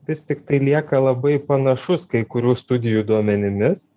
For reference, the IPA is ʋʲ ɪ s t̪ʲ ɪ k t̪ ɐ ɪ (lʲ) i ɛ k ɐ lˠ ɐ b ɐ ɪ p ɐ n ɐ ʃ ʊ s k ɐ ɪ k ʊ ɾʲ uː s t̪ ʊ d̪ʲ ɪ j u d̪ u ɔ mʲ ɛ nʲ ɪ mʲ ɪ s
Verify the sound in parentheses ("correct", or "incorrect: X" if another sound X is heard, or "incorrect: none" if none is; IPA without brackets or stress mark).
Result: correct